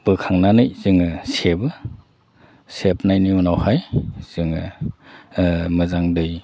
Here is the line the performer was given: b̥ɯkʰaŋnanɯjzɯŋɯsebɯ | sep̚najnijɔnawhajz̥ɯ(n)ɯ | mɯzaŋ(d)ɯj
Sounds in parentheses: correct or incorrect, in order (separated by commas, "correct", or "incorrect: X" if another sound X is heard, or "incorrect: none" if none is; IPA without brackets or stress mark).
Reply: incorrect: ŋ, correct